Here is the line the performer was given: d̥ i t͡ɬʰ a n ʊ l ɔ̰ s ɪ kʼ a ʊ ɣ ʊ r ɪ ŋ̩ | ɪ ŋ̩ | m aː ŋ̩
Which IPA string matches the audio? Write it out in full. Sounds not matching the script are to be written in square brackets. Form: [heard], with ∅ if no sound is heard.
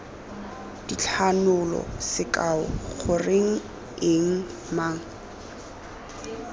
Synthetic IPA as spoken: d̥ i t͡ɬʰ a n ʊ l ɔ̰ s ɪ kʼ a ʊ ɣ ʊ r ɪ ŋ̩ | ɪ ŋ̩ | m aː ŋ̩